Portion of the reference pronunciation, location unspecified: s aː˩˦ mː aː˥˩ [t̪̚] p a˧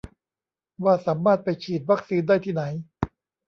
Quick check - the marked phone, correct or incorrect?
correct